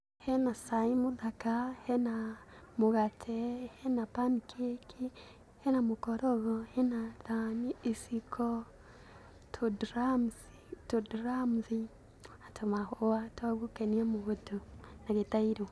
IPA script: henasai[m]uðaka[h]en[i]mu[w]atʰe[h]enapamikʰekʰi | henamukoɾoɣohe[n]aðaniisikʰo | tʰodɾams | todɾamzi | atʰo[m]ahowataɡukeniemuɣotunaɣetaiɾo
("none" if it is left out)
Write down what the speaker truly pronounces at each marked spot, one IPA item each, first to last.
m, h, a, ɣ, h, n, m

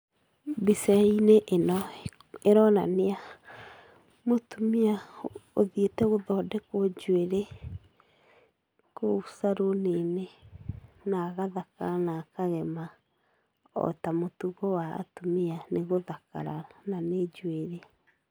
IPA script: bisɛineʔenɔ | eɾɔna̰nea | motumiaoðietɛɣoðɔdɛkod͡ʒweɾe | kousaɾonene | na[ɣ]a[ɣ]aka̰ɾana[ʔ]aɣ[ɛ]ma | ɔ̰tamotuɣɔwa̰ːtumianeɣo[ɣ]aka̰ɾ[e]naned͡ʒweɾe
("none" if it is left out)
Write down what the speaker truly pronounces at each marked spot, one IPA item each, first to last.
ɣ, ð, k, ɛ, ð, a

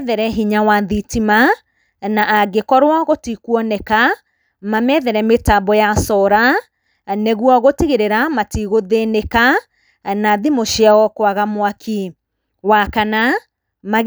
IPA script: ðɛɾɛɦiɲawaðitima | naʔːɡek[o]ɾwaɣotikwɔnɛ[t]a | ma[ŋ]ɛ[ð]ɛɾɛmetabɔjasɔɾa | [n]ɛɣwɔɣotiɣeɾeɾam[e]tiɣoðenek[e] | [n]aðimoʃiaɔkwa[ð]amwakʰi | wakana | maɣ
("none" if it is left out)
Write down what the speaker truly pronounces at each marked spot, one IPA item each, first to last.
ɔ, k, m, ð, n, a, a, n, ɣ

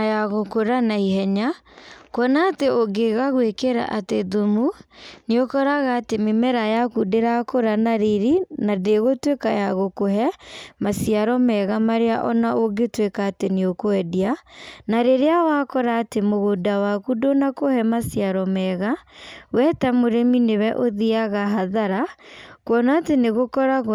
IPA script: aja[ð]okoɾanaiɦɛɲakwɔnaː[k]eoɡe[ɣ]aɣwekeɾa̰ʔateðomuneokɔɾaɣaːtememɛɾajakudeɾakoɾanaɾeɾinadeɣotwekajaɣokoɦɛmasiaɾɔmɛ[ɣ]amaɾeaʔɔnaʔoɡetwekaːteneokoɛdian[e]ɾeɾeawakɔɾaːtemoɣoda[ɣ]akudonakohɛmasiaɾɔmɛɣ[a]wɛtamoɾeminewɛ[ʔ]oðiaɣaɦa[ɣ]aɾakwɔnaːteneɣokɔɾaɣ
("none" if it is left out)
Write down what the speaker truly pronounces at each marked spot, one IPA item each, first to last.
ɣ, t, ɣ, ɣ, a, w, a, ʔ, ð

